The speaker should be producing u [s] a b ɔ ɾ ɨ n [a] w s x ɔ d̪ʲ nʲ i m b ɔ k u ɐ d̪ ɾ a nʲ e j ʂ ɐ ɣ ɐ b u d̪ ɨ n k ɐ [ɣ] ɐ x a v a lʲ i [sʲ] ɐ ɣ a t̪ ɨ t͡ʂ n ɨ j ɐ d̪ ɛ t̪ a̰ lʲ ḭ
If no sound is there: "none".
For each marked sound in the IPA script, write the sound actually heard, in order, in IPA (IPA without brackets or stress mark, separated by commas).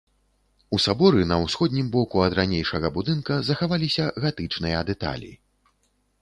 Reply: s, ɐ, z, sʲ